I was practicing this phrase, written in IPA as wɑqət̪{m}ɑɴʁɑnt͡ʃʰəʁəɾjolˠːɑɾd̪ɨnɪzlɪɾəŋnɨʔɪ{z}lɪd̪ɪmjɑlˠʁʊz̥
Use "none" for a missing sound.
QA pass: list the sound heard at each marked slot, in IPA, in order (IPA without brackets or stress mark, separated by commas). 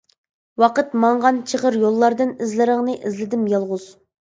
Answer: m, z